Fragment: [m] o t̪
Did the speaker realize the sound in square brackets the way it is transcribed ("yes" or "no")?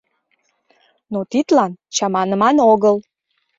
no